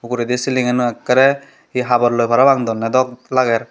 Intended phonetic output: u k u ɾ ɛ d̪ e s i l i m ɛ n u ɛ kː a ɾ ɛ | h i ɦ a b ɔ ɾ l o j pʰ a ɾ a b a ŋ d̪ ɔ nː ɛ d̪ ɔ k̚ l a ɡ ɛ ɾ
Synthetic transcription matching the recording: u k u ɾ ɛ d̪ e s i l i ŋ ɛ n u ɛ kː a ɾ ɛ | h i ɦ a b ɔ ɾ l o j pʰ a ɾ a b a ŋ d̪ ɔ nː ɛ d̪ ɔ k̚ l a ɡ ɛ ɾ